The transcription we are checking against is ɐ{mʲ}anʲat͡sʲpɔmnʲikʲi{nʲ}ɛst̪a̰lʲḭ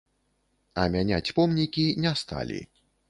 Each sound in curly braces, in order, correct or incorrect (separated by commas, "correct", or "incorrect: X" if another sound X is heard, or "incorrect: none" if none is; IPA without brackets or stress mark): correct, correct